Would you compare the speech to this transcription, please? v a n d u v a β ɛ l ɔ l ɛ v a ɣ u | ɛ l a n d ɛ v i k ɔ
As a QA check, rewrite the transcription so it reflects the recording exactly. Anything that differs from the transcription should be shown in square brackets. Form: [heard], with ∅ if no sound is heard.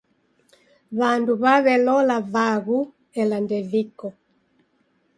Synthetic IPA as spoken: [β] a n d u [β] a β ɛ l ɔ l [a] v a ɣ u | ɛ l a n d ɛ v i k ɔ